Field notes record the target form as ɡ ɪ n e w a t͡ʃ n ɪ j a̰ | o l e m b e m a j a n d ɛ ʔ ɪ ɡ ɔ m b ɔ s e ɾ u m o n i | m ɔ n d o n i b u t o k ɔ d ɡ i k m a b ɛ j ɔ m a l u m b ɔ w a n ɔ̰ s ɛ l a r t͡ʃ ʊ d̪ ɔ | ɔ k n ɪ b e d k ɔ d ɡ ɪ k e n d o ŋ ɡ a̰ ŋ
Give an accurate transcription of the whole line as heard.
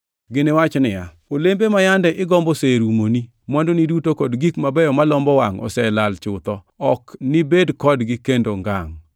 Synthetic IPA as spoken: ɡ ɪ n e w a t͡ʃ n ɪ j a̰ | o l e m b e m a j a n d ɛ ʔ ɪ ɡ ɔ m b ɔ s e ɾ u m o n i | m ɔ n d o n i d u t o k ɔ d ɡ i k m a b ɛ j ɔ m a l ɔ m b ɔ w a ŋ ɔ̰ s ɛ l a l t͡ʃ ʊ t̪ ɔ | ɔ k n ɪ b e d k ɔ d ɡ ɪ k e n d o ŋ ɡ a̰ ŋ

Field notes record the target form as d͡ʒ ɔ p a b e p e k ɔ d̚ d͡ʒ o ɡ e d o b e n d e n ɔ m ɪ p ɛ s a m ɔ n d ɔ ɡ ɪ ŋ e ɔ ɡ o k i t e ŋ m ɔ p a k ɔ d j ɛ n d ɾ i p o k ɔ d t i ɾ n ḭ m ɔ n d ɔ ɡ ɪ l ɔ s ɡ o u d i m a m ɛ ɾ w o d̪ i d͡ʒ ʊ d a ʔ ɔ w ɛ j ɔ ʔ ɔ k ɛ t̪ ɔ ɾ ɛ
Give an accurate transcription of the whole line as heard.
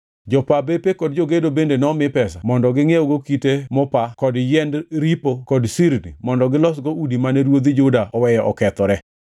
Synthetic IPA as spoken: d͡ʒ ɔ p a b e p e k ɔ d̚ d͡ʒ o ɡ e d o b e n d e n ɔ m ɪ p ɛ s a m ɔ n d ɔ ɡ ɪ ŋ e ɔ ɡ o k i t e m ɔ p a k ɔ d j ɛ n d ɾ i p o k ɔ d s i ɾ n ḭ m ɔ n d ɔ ɡ ɪ l ɔ s ɡ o u d i m a n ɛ ɾ w o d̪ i d͡ʒ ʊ d a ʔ ɔ w ɛ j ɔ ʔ ɔ k ɛ t̪ ɔ ɾ ɛ

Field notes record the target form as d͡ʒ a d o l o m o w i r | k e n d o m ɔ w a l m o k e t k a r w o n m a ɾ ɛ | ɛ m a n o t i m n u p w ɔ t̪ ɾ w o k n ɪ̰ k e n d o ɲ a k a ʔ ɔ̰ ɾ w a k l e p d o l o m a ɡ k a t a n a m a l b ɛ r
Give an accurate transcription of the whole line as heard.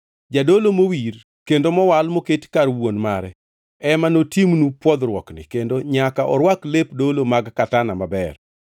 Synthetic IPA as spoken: d͡ʒ a d o l o m o w i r | k e n d o m ɔ w a l m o k e t k a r w o n m a ɾ ɛ | ɛ m a n o t i m n u p w ɔ d̪ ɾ w ɔ k n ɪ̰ k e n d o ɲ a k a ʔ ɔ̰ ɾ w a k l e p d o l o m a ɡ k a t a n a m a b ɛ r

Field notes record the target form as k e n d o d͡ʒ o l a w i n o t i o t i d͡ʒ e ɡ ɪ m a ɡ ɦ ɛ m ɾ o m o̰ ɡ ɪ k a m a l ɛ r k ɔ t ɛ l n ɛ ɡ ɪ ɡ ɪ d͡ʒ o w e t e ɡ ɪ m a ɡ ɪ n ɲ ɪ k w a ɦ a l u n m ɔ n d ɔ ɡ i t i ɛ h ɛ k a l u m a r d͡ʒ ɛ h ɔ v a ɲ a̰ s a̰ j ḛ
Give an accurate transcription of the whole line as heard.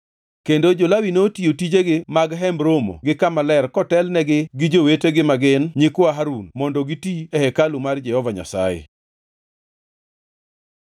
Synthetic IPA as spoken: k e n d o d͡ʒ o l a w i n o t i o t i d͡ʒ e ɡ ɪ m a ɡ ɦ ɛ m ɾ o m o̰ ɡ ɪ k a m a l ɛ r k ɔ t ɛ l n ɛ ɡ ɪ ɡ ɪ d͡ʒ o w e t e ɡ ɪ m a ɡ ɪ n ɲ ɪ k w a ɦ a ɾ u n m ɔ n d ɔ ɡ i t i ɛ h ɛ k a l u m a r d͡ʒ ɛ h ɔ v a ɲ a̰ s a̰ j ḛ

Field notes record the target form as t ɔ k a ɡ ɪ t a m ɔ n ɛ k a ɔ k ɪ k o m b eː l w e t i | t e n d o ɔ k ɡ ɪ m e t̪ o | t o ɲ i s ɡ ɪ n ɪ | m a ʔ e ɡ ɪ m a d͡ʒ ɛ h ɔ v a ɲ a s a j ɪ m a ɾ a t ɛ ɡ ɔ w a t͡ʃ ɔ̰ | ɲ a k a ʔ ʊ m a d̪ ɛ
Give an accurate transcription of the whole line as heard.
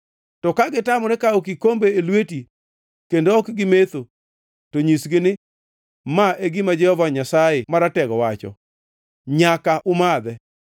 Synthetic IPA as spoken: t ɔ k a ɡ ɪ t a m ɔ n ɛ k a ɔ k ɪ k o m b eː l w e t i | k e n d o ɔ k ɡ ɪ m e t̪ o | t o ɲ i s ɡ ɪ n ɪ | m a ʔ e ɡ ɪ m a d͡ʒ ɛ h ɔ v a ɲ a s a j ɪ m a ɾ a t ɛ ɡ ɔ w a t͡ʃ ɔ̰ | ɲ a k a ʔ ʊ m a d̪ ɛ

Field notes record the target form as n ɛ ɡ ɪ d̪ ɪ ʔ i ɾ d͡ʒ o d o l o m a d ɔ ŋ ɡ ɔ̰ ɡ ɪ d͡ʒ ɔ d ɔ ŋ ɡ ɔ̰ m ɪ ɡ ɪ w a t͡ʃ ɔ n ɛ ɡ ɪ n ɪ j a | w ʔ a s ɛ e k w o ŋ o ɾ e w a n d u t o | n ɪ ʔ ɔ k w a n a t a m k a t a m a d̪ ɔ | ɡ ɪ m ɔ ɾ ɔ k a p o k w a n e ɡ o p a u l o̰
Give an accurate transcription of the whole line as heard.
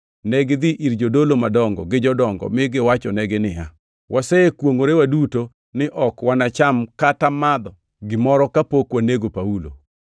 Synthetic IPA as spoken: n ɛ ɡ ɪ d̪ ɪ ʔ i ɾ d͡ʒ o d o l o m a d ɔ ŋ ɡ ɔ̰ ɡ ɪ d͡ʒ ɔ d ɔ ŋ ɡ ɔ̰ m ɪ ɡ ɪ w a t͡ʃ ɔ n ɛ ɡ ɪ n ɪ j a | w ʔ a s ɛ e k w o ŋ o ɾ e w a d u t o | n ɪ ʔ ɔ k w a n a t͡ʃ a m k a t a m a d̪ ɔ | ɡ ɪ m ɔ ɾ ɔ k a p o k w a n e ɡ o p a u l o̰

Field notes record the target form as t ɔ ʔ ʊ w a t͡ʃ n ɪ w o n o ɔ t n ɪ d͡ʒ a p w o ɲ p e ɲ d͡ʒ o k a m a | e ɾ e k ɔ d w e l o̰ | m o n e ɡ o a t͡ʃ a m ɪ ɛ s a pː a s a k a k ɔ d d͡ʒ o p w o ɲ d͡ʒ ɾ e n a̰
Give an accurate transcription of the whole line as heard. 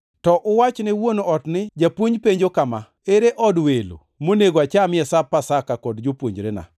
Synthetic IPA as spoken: t ɔ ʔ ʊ w a t͡ʃ n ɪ w o n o ɔ t n ɪ d͡ʒ a p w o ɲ p e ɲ d͡ʒ o k a m a | e ɾ e ʔ ɔ d w e l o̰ | m o n e ɡ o a t͡ʃ a m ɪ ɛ s a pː a s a k a k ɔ d d͡ʒ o p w o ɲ d͡ʒ ɾ e n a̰

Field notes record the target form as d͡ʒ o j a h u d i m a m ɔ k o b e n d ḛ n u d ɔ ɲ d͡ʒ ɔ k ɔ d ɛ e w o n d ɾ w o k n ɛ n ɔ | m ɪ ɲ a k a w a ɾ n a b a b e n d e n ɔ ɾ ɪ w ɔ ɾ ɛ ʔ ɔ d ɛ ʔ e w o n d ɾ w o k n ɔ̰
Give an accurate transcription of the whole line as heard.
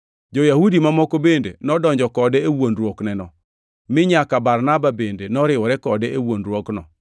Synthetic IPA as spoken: d͡ʒ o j a h u d i m a m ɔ k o b e n d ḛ n ɔ d ɔ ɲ d͡ʒ ɔ k ɔ d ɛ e w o n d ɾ w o k n ɛ n ɔ | m ɪ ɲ a k a b a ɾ n a b a b e n d e n ɔ ɾ ɪ w ɔ ɾ ɛ k ɔ d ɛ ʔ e w o n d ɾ w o k n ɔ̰

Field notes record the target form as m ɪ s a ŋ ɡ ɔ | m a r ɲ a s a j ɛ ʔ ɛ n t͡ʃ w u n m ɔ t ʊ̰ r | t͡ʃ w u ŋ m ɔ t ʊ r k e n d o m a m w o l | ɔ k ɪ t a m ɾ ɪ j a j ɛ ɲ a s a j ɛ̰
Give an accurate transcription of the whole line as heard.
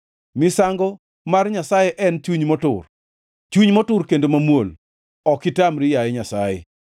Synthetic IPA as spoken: m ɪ s a ŋ ɡ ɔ | m a r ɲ a s a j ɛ ʔ ɛ n t͡ʃ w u ɲ m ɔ t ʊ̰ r | t͡ʃ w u ɲ m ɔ t ʊ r k e n d o m a m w o l | ɔ k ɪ t a m ɾ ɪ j a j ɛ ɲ a s a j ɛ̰

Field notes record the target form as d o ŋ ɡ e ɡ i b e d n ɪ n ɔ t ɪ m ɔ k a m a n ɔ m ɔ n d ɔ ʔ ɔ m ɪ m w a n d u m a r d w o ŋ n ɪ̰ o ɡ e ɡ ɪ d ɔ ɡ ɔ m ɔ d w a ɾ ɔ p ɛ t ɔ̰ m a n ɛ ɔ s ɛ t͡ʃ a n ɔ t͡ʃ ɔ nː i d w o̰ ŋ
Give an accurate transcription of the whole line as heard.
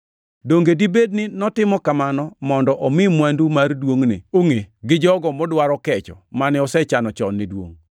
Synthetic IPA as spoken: d o ŋ ɡ e d i b e d n ɪ n ɔ t ɪ m ɔ k a m a n ɔ m ɔ n d ɔ ʔ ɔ m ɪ m w a n d u m a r d w o ŋ n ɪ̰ o ŋ e ɡ ɪ d͡ʒ ɔ ɡ ɔ m ɔ d w a ɾ ɔ k ɛ t͡ʃ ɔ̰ m a n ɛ ɔ s ɛ t͡ʃ a n ɔ t͡ʃ ɔ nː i d w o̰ ŋ

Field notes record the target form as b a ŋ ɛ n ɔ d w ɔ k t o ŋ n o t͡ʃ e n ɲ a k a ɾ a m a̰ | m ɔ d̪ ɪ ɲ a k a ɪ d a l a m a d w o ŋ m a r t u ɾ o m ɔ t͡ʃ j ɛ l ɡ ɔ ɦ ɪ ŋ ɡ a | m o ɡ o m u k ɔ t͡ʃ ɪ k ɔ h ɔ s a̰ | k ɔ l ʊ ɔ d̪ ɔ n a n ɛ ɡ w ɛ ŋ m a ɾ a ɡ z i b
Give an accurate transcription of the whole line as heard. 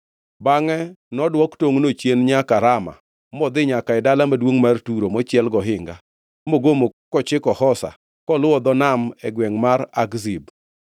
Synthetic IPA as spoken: b a ŋ ɛ n ɔ d w ɔ k t o ŋ n o t͡ʃ e n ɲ a k a ɾ a m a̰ | m ɔ d̪ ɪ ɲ a k a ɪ d a l a m a d w o ŋ m a r t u ɾ o m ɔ t͡ʃ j ɛ l ɡ ɔ ɦ ɪ ŋ ɡ a | m o ɡ o m o k ɔ t͡ʃ ɪ k ɔ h ɔ s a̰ | k ɔ l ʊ ɔ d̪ ɔ n a m ɛ ɡ w ɛ ŋ m a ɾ a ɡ z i b

